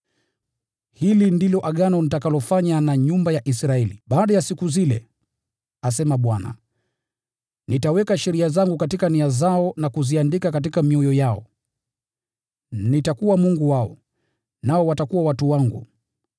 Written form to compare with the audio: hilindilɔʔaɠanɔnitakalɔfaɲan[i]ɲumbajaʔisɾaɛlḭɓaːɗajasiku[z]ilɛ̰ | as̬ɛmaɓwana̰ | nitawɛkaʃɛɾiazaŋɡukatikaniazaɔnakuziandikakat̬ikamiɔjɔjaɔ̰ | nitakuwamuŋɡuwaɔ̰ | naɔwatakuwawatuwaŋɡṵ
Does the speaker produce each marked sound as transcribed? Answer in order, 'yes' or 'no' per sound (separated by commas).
no, yes